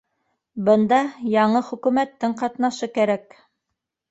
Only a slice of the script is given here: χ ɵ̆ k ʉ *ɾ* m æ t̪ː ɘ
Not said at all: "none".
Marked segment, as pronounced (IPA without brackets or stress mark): none